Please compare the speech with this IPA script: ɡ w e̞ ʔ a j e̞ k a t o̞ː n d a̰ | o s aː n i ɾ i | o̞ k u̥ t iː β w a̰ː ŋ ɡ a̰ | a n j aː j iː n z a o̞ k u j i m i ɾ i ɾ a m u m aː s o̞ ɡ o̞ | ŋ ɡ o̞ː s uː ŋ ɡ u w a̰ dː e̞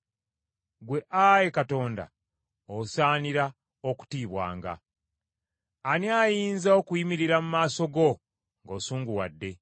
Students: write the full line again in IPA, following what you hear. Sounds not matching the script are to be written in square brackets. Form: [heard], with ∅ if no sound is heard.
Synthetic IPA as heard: ɡ w e̞ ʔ a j e̞ k a t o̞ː n d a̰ | o s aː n i ɾ [a] | o̞ k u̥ t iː β w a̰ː ŋ ɡ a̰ | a n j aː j iː n z a o̞ k u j i m i ɾ i ɾ a m u m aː s o̞ ɡ o̞ | ŋ ɡ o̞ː s uː ŋ ɡ u w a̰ dː e̞